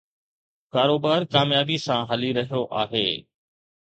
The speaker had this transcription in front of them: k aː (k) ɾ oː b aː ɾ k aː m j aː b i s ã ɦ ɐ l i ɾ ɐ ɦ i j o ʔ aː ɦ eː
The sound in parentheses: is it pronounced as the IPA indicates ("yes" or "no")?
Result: no